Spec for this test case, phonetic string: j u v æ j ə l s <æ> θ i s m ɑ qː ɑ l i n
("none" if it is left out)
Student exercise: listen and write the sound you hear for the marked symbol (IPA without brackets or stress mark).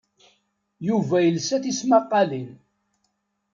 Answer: æ